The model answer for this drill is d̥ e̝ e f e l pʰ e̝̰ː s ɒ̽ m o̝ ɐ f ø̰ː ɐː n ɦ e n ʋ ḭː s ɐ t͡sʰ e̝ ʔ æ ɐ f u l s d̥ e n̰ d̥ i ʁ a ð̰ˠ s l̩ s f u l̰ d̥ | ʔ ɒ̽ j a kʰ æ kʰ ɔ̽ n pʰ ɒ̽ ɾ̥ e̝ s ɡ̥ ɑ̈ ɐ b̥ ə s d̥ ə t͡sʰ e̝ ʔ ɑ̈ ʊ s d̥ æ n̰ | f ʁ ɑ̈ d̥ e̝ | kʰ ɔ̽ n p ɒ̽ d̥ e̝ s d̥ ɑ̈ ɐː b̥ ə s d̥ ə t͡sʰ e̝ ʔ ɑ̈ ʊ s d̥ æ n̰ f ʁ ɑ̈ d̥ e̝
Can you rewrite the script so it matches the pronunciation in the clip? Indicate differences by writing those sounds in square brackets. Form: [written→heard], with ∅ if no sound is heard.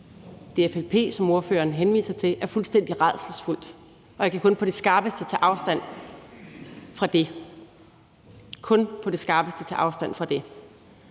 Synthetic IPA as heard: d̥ e̝ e f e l pʰ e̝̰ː s ɒ̽ m o̝ ɐ f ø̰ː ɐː n ɦ e n ʋ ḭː s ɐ t͡sʰ e̝ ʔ æ ɐ f u l s d̥ e n̰ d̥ i ʁ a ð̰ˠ s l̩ s f u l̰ d̥ | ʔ ɒ̽ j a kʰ æ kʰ ɔ̽ n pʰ ɒ̽ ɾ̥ e̝ s ɡ̥ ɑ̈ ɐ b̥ ə s d̥ ə t͡sʰ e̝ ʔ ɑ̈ ʊ s d̥ æ n̰ | f ʁ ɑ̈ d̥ e̝ | kʰ ɔ̽ n [p→pʰ] ɒ̽ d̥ e̝ s [d̥→ɡ̥] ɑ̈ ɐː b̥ ə s d̥ ə t͡sʰ e̝ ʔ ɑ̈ ʊ s d̥ æ n̰ f ʁ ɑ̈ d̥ e̝

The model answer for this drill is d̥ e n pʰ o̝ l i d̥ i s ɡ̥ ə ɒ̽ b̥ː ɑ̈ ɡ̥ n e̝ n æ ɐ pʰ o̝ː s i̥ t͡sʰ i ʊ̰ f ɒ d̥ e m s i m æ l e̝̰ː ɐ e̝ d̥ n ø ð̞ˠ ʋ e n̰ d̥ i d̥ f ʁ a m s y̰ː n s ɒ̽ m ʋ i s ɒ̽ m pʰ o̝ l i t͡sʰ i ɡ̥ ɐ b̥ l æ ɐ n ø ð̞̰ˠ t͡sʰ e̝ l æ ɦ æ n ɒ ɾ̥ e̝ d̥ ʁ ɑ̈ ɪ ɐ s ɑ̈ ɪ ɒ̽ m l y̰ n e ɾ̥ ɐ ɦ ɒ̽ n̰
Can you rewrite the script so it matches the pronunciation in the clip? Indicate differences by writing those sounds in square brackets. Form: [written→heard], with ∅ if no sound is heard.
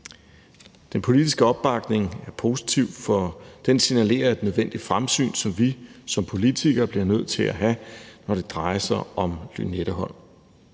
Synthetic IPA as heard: d̥ e n pʰ o̝ l i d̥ i s ɡ̥ ə ɒ̽ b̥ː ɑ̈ ɡ̥ n e̝ [n→ŋ] æ ɐ pʰ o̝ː s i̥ t͡sʰ i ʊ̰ f ɒ d̥ e [m→n] s i [m→n] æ l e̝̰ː ɐ e̝ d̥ n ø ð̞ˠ ʋ e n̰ d̥ i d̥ f ʁ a m s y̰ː n s ɒ̽ m ʋ i s ɒ̽ m pʰ o̝ l i t͡sʰ i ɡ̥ ɐ b̥ l [æ→i] ɐ n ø ð̞̰ˠ t͡sʰ e̝ l æ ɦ æ n ɒ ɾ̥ e̝ d̥ ʁ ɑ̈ ɪ ɐ s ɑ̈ ɪ ɒ̽ m l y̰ n e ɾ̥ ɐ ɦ ɒ̽ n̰

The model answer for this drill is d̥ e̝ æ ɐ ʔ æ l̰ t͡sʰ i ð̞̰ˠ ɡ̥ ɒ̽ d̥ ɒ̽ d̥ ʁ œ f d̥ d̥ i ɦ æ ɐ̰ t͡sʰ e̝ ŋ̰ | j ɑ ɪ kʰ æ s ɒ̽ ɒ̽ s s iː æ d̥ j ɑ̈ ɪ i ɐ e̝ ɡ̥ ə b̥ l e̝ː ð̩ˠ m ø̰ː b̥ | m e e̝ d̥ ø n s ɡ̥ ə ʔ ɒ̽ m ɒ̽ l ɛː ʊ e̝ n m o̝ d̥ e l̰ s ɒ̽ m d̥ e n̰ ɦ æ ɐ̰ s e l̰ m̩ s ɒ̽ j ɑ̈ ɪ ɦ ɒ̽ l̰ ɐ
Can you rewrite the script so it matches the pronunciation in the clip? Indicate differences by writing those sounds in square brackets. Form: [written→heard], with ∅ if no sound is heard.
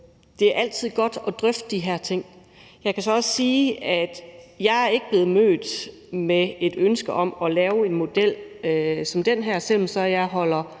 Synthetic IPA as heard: d̥ e̝ æ ɐ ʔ æ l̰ t͡sʰ i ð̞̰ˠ ɡ̥ ɒ̽ d̥ ɒ̽ d̥ ʁ œ f d̥ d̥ i ɦ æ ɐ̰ t͡sʰ e̝ ŋ̰ | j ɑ ɪ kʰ æ s ɒ̽ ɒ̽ s s iː æ d̥ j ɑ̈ ɪ [i→æ] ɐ e̝ ɡ̥ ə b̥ l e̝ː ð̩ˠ m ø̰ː [b̥→d̥] | m e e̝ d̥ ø n s ɡ̥ ə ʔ ɒ̽ m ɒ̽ l ɛː ʊ e̝ n m o̝ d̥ e l̰ s ɒ̽ m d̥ e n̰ ɦ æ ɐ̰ s e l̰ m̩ s ɒ̽ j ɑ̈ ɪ ɦ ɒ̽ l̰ ɐ

